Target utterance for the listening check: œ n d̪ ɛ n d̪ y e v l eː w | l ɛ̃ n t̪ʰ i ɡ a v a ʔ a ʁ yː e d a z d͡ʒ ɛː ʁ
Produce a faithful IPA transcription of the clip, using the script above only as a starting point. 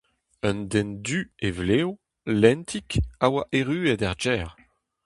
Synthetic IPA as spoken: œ n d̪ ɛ n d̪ y e v l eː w | l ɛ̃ n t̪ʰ i k a w a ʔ e ʁ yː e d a ʁ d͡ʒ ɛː ʁ

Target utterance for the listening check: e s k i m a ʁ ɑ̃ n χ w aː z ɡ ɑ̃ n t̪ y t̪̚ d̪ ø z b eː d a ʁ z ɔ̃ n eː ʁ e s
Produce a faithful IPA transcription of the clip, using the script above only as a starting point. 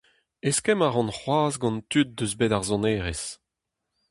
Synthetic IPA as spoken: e s k ɛ m a ʁ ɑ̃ n χ w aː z ɡ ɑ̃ n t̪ y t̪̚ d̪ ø z b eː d a ʁ z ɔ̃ n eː ʁ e s

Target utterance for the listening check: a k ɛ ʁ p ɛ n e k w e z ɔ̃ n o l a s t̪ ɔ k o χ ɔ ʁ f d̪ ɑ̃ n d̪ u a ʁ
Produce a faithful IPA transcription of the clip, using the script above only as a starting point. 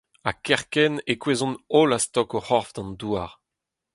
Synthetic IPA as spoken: a k ɛ ʁ k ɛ n e k w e z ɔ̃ n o l a s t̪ ɔ k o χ ɔ ʁ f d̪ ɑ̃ n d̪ u a ʁ

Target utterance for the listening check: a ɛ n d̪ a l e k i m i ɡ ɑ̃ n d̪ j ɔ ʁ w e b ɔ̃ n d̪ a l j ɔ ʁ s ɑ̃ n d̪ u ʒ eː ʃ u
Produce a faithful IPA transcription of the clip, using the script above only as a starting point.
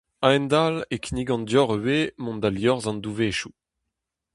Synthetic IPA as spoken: a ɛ n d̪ a l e k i n i ɡ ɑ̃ n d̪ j ɔ ʁ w e m ɔ̃ n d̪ a l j ɔ ʁ z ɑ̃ n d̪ u v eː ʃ u

